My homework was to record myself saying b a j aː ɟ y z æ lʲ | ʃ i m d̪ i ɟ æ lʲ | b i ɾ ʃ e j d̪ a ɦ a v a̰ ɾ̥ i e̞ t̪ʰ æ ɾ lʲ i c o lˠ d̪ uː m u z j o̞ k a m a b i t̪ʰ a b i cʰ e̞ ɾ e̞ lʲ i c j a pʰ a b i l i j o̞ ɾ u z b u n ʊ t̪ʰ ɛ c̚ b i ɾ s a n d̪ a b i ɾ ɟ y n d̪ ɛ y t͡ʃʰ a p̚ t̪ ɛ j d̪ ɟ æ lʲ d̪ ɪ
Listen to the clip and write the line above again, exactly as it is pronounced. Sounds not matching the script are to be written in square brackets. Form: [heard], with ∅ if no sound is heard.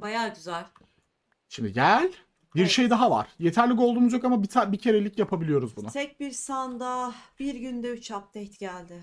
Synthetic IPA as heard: b a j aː ɟ y z æ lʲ | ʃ i m d̪ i ɟ æ lʲ | b i ɾ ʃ e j d̪ a ɦ a v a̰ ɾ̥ [j] e̞ t̪ʰ æ ɾ lʲ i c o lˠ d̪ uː m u z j o̞ k a m a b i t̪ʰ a b i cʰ e̞ ɾ e̞ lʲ i c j a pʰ a b i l i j o̞ ɾ u z b u n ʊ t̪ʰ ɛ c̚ b i ɾ s a n d̪ a b i ɾ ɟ y n d̪ ɛ y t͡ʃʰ a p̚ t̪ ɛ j [t̪] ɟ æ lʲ d̪ ɪ